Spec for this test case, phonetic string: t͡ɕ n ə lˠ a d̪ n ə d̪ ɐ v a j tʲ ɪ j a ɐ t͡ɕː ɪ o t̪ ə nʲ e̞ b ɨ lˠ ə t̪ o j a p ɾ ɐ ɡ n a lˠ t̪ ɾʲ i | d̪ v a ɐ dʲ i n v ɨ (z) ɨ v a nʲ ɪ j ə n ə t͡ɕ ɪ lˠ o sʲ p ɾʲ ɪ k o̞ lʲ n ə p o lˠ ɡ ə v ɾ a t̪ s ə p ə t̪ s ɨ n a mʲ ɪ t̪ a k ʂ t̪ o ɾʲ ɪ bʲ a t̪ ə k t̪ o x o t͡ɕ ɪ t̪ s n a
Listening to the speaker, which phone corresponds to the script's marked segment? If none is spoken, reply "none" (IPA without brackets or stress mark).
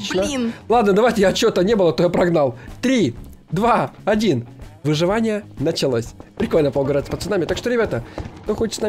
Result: ʐ